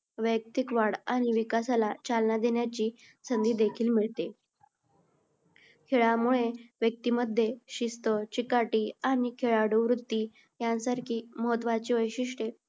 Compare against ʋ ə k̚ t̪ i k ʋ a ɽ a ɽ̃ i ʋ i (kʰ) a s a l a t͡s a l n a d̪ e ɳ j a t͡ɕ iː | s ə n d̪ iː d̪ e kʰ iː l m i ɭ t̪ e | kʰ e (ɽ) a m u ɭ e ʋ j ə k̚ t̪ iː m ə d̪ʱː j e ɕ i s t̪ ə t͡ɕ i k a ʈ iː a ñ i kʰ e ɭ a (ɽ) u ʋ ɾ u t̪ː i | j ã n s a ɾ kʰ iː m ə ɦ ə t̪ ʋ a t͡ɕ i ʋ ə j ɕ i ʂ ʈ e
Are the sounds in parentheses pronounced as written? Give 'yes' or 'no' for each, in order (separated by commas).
no, no, yes